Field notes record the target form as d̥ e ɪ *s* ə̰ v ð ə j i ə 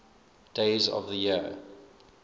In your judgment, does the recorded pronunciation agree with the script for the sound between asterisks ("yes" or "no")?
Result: no